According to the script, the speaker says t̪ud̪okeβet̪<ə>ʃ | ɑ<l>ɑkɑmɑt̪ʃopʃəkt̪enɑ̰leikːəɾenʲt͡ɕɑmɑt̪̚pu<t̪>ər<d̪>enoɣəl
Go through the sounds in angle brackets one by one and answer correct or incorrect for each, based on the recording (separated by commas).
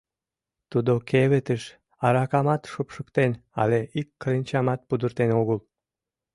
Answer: correct, incorrect, incorrect, incorrect